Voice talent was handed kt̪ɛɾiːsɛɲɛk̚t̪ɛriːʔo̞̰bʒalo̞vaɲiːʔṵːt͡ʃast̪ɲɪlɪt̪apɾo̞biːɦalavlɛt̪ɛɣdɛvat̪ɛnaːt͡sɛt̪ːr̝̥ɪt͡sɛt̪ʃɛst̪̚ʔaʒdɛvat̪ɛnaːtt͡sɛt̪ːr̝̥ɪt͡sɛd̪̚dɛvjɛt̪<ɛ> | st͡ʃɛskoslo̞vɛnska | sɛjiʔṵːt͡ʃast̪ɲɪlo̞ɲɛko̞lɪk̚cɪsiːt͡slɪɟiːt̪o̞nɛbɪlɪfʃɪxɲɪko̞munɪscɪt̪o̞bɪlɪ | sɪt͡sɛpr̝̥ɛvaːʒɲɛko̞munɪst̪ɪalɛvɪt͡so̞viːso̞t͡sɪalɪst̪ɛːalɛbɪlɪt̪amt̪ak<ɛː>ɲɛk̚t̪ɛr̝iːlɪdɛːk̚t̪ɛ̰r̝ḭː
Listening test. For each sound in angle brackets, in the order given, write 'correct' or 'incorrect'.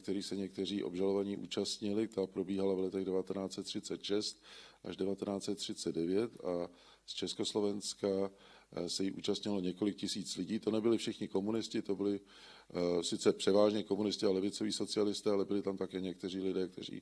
incorrect: a, correct

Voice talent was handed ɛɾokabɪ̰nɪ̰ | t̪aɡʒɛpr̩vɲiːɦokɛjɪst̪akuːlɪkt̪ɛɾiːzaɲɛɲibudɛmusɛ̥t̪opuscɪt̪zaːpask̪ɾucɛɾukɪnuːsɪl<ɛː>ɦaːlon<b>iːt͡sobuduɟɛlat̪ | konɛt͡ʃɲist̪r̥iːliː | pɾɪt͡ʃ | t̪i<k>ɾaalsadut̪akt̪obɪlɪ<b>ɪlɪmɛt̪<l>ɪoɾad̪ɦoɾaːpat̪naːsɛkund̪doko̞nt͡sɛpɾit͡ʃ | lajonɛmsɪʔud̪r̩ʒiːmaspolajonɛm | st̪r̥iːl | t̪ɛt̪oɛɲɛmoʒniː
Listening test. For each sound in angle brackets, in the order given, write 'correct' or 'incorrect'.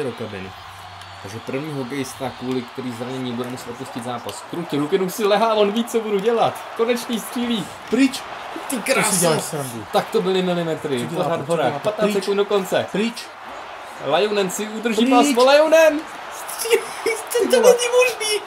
incorrect: ɛ, incorrect: v, correct, incorrect: m, incorrect: ɾ

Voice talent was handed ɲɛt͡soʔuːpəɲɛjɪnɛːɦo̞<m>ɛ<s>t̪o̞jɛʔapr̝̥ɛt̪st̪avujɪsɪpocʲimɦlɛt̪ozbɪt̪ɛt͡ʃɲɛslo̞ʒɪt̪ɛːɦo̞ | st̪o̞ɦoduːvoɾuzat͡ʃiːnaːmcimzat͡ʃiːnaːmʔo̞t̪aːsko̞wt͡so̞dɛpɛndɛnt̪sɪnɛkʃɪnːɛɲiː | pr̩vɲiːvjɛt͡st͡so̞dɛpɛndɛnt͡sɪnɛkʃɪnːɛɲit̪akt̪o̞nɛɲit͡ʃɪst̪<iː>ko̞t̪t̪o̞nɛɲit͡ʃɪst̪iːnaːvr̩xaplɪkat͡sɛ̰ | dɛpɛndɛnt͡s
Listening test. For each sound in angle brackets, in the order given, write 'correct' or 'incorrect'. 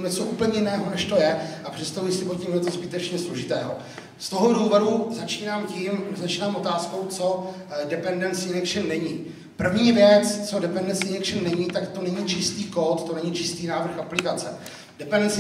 incorrect: n, incorrect: ʃ, correct

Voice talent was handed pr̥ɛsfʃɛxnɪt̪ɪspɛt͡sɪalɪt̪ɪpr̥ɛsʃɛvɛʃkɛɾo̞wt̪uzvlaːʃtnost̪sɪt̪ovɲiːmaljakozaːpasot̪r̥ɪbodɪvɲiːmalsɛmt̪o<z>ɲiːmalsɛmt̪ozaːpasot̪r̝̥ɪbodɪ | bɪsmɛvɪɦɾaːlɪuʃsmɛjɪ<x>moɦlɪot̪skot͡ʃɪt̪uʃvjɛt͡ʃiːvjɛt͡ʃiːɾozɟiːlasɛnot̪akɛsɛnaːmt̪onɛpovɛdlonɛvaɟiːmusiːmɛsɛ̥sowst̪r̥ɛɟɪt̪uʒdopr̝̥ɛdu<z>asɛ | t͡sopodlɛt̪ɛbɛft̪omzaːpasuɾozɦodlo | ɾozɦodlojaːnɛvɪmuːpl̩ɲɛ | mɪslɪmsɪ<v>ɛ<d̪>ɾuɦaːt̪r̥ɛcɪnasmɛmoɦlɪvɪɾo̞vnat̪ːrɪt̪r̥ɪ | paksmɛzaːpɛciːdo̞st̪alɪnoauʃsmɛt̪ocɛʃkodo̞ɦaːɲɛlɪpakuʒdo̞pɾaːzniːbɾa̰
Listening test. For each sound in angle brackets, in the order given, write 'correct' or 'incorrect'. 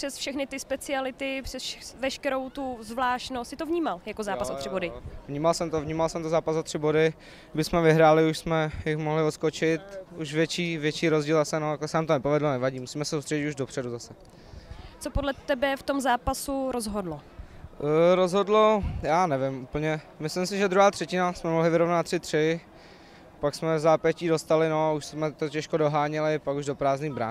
incorrect: v, correct, correct, incorrect: ʒ, correct

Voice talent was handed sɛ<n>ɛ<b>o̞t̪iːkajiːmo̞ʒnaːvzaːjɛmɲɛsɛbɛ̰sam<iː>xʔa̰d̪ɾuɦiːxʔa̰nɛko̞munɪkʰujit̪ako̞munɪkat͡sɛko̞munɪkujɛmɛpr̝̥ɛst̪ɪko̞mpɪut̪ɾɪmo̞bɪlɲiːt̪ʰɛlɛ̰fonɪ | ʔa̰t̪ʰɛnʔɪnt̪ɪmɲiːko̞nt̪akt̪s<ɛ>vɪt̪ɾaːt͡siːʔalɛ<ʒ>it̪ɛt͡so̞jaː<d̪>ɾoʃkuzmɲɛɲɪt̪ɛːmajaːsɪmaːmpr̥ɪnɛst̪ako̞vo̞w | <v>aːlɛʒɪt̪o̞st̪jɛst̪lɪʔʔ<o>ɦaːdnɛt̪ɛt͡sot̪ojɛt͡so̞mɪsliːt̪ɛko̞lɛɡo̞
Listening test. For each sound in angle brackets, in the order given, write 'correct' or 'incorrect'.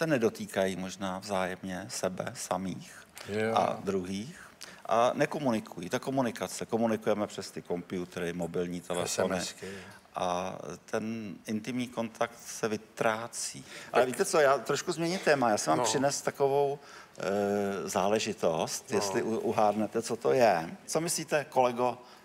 correct, incorrect: d, correct, correct, incorrect: v, incorrect: t̪, incorrect: z, incorrect: u

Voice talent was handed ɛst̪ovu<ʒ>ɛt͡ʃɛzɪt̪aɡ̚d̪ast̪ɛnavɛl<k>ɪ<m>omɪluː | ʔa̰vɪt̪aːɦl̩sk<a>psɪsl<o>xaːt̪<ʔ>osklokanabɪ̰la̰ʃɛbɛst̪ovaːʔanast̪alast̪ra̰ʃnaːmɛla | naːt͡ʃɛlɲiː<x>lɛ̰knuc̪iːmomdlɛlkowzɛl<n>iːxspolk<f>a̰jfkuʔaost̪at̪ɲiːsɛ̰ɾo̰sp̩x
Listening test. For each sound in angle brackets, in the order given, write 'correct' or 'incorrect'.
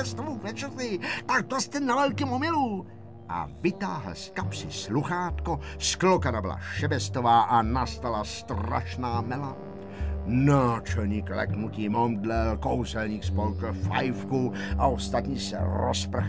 incorrect: v, correct, correct, correct, incorrect: u, incorrect: k, incorrect: k, incorrect: ɲ, correct

